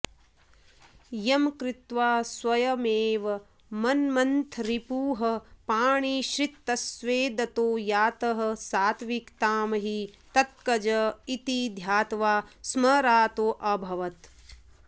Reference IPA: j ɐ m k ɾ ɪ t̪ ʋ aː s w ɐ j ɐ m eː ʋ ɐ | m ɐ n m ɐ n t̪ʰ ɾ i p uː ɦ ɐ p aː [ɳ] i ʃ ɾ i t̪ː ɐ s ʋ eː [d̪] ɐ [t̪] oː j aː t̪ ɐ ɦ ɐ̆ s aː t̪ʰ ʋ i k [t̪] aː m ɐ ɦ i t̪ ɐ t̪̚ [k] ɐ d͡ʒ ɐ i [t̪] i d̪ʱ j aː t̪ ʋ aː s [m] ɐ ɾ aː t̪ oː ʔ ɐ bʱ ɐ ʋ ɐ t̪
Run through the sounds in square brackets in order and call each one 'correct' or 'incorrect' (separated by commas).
correct, correct, correct, correct, correct, correct, correct